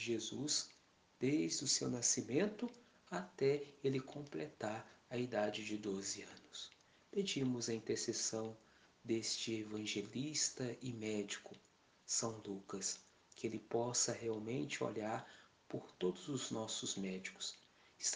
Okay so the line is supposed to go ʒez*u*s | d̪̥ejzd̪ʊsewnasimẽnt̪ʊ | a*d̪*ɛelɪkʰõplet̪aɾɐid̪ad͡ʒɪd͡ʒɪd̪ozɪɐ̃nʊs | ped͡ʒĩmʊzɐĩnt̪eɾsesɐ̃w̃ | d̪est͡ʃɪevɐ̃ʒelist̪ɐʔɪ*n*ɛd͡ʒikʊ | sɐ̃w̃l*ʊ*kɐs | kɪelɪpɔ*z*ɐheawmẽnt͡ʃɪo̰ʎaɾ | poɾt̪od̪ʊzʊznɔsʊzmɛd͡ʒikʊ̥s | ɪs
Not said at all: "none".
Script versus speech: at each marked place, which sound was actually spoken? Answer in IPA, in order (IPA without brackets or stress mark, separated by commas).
u, t̪, m, u, s